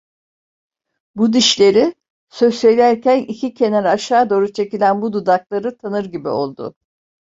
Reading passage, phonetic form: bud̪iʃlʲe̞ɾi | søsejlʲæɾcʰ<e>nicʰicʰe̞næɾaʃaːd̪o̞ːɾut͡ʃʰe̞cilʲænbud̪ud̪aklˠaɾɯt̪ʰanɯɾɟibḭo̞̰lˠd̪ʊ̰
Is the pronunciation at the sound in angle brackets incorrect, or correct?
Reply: incorrect